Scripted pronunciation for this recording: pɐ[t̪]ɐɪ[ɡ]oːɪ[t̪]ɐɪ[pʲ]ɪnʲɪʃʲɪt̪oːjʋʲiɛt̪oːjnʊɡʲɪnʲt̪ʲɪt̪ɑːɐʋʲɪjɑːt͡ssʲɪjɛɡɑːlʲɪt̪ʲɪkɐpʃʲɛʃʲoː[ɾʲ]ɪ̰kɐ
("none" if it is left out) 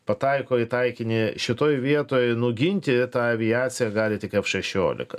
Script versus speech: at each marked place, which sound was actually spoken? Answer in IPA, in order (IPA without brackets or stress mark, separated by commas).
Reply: t̪, k, t̪, kʲ, lʲ